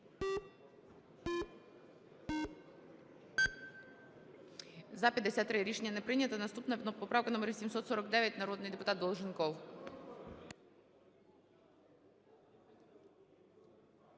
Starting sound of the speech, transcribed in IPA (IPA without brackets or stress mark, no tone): z